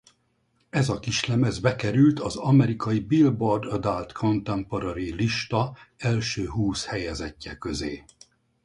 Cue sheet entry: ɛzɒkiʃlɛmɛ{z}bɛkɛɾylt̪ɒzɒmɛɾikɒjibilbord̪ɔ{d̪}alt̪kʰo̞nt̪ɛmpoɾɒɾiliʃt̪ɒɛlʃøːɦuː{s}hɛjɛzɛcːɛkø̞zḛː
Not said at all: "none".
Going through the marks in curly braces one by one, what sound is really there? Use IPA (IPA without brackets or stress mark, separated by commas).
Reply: z, d̪, s